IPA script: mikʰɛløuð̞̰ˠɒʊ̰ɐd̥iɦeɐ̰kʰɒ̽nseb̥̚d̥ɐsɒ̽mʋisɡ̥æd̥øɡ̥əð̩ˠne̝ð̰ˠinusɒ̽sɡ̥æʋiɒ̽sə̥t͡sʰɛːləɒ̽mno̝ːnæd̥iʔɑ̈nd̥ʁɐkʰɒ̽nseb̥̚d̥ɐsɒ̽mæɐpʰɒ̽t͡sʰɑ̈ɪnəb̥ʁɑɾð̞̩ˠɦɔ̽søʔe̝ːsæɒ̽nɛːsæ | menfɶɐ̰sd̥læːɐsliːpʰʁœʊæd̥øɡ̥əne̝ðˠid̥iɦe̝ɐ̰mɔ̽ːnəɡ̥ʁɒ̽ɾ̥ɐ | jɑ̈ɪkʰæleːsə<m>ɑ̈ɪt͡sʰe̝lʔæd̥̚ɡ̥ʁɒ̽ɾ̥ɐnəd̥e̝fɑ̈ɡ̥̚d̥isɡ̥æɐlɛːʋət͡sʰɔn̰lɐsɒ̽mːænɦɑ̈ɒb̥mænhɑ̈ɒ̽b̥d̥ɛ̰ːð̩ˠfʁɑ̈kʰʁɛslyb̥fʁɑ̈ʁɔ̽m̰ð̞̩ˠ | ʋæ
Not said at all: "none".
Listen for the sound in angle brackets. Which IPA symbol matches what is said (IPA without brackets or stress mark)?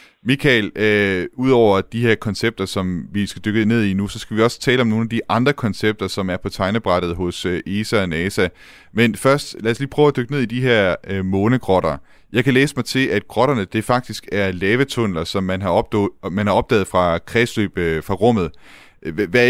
m